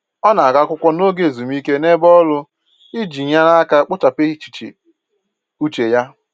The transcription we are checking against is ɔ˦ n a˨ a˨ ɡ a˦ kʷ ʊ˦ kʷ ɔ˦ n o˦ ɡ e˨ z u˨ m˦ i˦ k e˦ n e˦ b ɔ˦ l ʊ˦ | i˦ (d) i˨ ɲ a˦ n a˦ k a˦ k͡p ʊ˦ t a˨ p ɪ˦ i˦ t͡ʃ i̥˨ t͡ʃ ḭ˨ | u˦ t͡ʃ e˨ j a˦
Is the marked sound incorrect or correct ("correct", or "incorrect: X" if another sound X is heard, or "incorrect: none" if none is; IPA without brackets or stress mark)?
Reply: incorrect: d͡ʒ